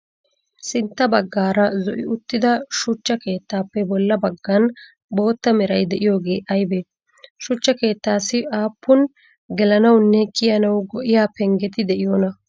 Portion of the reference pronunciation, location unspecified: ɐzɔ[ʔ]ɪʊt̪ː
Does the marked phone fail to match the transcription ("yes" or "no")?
no